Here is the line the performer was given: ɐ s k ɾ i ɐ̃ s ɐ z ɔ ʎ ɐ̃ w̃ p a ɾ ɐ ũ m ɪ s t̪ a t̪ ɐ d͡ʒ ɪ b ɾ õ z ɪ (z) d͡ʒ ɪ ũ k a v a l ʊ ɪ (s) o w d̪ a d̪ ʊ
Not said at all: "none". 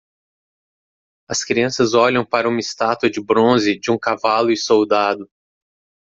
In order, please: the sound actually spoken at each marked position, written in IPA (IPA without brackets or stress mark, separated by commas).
none, s